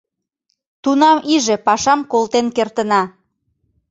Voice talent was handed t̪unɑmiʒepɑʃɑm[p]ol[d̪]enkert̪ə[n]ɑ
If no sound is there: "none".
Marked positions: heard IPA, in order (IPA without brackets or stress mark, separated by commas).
k, t̪, n